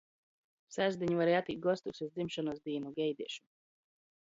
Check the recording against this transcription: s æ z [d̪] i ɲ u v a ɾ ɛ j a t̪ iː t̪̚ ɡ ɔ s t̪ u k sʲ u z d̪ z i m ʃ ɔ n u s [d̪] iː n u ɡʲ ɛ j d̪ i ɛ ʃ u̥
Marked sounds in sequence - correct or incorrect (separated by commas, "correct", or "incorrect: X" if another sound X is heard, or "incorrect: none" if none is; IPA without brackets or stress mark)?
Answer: correct, correct